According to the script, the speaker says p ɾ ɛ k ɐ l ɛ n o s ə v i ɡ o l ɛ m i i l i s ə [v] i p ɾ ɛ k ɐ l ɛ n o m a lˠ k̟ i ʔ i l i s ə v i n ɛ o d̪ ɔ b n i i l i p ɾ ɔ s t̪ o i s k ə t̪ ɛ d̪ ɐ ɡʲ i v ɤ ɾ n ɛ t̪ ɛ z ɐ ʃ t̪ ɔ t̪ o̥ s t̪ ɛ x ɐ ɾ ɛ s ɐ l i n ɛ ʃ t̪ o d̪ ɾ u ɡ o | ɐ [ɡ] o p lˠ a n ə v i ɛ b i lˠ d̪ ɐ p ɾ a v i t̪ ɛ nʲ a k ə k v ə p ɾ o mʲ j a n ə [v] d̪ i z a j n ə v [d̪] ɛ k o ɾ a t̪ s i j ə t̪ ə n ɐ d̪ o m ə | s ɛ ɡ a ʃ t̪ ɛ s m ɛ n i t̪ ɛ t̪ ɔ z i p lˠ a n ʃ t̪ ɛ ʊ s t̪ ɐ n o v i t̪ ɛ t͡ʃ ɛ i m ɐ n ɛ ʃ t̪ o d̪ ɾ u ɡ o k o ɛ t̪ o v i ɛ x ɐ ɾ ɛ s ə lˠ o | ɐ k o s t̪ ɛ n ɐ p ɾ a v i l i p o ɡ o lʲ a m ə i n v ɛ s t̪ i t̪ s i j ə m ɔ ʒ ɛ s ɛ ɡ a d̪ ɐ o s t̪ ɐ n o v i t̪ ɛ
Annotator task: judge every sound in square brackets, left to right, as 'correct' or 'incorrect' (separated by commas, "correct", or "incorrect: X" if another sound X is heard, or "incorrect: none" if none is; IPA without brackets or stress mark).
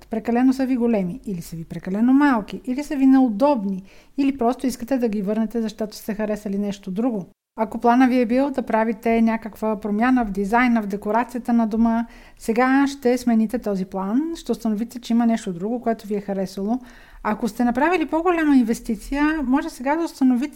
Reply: correct, incorrect: k, correct, correct